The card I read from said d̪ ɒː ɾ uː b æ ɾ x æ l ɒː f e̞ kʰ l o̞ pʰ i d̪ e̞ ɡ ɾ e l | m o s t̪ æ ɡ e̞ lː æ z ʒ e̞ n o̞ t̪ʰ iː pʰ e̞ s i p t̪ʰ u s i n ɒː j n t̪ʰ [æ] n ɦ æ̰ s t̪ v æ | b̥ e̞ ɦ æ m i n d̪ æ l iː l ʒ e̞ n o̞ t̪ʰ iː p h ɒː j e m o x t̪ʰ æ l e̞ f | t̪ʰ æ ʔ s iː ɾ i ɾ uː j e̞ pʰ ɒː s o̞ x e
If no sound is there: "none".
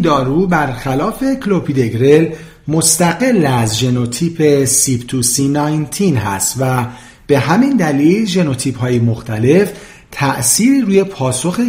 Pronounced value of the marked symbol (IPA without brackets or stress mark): i